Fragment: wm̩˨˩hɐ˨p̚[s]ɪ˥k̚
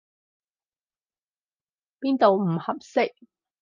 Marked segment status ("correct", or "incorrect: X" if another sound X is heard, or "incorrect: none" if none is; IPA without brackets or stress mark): correct